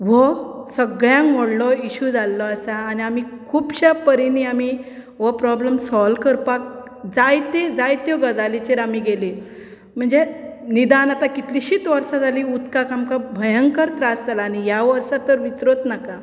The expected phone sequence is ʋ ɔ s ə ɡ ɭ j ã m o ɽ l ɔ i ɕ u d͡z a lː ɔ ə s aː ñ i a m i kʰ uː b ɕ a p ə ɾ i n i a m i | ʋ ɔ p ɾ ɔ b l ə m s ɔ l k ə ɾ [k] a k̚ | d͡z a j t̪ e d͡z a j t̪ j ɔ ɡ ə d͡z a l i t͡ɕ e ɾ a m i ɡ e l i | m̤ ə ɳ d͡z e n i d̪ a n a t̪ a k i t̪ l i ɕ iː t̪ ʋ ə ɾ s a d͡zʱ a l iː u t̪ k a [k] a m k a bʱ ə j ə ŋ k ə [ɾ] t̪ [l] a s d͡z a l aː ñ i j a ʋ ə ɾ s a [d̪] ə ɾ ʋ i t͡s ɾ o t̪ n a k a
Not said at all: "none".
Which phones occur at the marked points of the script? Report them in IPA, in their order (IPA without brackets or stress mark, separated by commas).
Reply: p, k, ɾ, ɾ, t̪